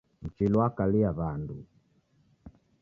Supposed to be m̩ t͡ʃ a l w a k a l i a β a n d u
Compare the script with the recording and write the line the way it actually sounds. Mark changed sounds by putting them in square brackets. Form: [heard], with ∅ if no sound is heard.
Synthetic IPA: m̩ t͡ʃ [i] l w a k a l i a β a n d u